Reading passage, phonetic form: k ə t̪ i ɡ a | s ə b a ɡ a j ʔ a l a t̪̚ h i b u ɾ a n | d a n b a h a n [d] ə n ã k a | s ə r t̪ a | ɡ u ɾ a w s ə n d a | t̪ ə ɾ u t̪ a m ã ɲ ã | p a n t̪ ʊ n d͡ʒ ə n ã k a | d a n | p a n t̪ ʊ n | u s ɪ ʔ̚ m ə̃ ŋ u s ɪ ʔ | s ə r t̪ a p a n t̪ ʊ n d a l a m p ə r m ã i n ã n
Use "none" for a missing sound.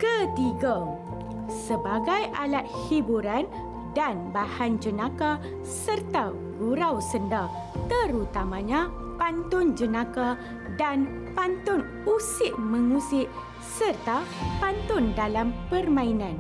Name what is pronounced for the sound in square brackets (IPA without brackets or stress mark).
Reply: d͡ʒ